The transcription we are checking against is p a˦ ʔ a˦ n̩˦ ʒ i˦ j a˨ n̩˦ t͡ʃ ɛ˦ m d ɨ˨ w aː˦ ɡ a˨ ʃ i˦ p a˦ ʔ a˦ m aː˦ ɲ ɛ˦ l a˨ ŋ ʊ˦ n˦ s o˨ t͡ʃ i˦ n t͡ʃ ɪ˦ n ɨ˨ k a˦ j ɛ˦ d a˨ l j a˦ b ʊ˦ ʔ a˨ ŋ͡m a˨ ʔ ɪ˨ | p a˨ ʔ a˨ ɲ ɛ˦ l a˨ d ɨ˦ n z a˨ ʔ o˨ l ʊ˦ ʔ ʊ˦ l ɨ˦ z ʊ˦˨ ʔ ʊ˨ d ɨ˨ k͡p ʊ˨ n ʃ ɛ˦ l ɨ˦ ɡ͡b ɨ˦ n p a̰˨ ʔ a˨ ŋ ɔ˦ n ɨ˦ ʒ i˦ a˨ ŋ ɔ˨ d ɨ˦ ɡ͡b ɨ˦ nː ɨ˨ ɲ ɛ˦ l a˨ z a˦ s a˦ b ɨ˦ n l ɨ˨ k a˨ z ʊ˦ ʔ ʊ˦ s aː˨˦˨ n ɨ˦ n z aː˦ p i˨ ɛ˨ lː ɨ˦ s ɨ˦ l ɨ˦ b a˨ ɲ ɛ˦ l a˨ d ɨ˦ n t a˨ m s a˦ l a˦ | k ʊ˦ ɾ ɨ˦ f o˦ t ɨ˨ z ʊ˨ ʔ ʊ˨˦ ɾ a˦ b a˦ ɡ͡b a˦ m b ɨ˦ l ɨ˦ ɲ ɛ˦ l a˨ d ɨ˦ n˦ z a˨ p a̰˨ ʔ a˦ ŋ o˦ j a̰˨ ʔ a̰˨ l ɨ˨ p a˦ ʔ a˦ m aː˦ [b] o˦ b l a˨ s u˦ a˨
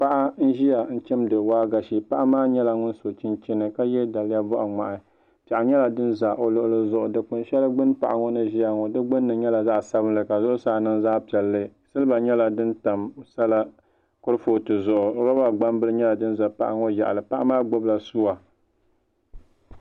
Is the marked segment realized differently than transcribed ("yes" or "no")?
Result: yes